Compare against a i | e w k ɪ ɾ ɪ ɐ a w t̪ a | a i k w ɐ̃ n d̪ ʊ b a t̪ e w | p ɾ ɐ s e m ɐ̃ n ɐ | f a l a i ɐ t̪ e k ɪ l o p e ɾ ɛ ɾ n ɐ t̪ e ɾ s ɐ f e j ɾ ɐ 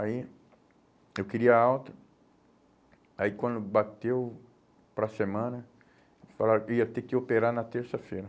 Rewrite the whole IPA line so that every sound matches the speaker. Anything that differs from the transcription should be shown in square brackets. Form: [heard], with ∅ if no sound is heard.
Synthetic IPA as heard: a i | e w k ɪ ɾ [i] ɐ a w t̪ [ɐ] | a i k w ɐ̃ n d̪ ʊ b a t̪ e w | p ɾ ɐ s e m ɐ̃ n ɐ | f a l a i ɐ t̪ e k ɪ [∅] o p e ɾ [a] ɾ n ɐ t̪ e ɾ s ɐ f e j ɾ ɐ